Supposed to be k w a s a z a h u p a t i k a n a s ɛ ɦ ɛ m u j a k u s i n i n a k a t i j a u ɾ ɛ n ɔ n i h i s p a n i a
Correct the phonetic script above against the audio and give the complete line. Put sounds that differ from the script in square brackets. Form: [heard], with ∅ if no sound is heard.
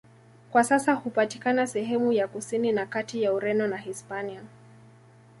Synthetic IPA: k w a s a [s] a h u p a t i k a n a s ɛ ɦ ɛ m u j a k u s i n i n a k a t i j a u ɾ ɛ n ɔ n [a] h i s p a n i a